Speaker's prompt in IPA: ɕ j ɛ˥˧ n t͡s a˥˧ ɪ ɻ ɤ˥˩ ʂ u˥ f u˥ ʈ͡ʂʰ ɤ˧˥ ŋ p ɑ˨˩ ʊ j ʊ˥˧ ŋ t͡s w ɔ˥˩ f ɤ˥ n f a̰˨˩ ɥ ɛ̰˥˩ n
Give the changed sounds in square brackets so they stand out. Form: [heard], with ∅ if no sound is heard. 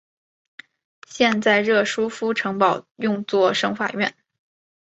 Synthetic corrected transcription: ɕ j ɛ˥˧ n t͡s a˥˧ ɪ ɻ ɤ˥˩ ʂ u˥ f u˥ ʈ͡ʂʰ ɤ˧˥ ŋ p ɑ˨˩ ʊ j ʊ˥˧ ŋ t͡s w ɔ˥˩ [ʂ] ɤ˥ [ŋ] f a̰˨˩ ɥ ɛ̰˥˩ n